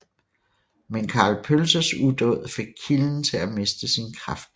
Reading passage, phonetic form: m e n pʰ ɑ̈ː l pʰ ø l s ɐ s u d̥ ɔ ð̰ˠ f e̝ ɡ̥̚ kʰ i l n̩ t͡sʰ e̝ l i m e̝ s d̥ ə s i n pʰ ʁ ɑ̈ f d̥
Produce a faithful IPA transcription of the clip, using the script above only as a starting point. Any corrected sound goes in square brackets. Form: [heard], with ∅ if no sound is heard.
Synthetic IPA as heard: m e n [kʰ] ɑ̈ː l pʰ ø l s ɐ s u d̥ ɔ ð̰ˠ f e̝ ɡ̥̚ kʰ i l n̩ t͡sʰ e̝ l [æ] m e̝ s d̥ ə s i n [kʰ] ʁ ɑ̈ f d̥